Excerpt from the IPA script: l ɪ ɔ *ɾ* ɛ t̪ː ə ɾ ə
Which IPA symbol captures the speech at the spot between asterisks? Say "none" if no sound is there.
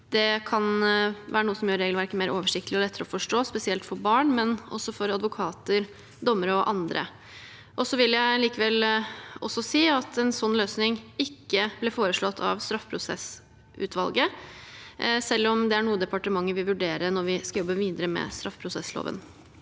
l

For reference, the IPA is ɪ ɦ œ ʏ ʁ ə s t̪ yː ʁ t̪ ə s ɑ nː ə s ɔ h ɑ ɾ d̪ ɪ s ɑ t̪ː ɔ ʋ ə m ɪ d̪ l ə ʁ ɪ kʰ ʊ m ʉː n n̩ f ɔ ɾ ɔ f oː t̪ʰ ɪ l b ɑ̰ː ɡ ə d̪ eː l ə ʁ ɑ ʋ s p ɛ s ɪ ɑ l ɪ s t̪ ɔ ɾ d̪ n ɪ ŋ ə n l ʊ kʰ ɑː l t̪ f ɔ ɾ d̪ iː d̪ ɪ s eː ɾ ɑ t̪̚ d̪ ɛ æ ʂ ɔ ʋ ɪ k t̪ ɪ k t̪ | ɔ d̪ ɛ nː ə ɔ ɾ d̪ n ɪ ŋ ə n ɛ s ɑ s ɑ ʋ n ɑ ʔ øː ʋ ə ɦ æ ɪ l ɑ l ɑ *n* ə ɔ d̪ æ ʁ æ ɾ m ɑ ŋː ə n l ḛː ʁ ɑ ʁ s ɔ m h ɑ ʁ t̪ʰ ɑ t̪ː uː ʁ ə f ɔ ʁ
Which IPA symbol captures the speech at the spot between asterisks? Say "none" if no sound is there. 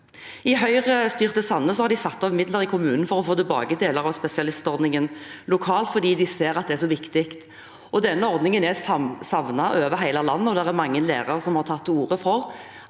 nː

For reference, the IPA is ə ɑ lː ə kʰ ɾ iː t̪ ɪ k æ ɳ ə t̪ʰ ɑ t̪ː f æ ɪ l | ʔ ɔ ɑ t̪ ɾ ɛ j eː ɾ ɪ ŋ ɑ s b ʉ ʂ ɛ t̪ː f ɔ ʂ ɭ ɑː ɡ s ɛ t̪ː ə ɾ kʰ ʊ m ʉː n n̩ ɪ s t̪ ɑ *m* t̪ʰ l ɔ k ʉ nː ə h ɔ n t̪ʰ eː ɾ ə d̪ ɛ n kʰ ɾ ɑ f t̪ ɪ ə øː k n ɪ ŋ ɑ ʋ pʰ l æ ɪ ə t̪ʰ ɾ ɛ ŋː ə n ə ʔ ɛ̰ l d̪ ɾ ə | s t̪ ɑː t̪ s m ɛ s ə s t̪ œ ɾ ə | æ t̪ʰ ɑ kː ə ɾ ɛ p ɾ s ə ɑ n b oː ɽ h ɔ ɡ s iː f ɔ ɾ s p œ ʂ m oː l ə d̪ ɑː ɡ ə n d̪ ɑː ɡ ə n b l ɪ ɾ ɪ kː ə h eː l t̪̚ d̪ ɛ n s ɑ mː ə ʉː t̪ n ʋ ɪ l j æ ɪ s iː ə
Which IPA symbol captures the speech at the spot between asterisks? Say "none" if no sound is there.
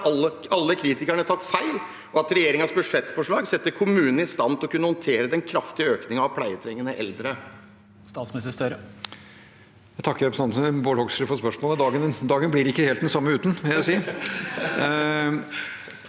n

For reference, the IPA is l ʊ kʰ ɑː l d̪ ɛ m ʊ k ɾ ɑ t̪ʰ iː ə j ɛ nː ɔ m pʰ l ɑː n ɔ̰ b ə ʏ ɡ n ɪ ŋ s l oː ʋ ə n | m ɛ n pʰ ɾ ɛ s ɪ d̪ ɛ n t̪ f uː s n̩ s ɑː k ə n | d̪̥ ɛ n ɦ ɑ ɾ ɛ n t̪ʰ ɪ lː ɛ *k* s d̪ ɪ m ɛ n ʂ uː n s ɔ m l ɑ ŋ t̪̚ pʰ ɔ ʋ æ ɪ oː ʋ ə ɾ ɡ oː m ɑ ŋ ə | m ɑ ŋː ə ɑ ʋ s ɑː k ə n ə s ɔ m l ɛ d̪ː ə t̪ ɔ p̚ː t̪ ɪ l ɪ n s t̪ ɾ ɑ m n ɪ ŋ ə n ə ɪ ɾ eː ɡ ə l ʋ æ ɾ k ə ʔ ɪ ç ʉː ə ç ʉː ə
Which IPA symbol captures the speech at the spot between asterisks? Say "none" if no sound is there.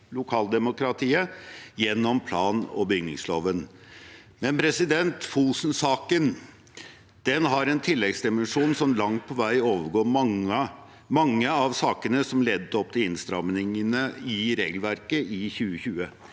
ɡ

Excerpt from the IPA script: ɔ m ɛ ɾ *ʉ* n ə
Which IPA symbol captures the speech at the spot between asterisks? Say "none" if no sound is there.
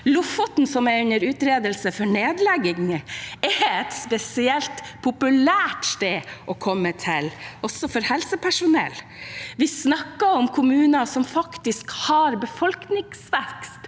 ʉ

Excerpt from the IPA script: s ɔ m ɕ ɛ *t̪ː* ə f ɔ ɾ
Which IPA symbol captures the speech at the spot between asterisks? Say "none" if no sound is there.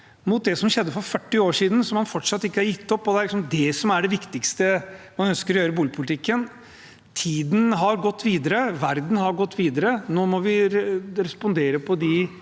d̪ː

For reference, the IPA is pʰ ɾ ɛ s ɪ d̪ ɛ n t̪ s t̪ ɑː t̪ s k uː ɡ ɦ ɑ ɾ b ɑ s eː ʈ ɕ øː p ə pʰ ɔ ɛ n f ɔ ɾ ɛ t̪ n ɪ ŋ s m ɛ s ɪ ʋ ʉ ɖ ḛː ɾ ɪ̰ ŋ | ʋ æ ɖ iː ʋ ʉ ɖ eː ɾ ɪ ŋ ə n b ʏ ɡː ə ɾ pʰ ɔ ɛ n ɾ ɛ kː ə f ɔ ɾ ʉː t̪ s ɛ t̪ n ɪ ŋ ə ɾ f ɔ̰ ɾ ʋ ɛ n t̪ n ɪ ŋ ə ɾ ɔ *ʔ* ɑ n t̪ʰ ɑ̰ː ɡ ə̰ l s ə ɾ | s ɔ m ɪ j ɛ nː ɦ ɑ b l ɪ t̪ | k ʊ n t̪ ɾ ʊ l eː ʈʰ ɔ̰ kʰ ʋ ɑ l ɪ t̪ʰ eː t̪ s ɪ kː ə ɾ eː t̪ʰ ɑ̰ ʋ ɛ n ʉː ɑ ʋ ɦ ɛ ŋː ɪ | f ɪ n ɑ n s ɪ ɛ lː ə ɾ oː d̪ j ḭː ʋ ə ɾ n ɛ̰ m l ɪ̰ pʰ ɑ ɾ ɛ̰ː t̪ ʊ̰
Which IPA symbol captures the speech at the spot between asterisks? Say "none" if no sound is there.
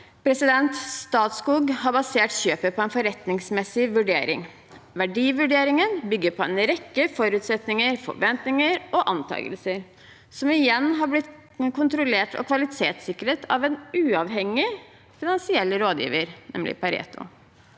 ʔ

